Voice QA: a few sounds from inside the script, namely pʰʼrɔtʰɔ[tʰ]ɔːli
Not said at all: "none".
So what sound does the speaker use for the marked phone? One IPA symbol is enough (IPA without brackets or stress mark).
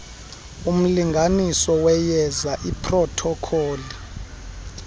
kʰ